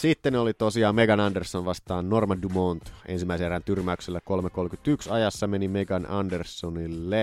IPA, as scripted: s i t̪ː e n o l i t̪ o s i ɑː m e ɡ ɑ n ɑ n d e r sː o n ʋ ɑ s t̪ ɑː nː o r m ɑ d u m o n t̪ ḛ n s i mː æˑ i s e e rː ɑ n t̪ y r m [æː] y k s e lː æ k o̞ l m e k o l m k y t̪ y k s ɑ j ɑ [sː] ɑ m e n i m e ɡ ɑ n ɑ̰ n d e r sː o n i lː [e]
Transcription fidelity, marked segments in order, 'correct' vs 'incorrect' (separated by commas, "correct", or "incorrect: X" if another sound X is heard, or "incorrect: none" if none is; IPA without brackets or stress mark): incorrect: æ, correct, correct